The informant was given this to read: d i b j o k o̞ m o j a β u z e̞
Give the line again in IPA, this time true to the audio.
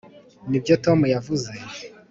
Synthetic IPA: n i b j o t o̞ m u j a v u z e̞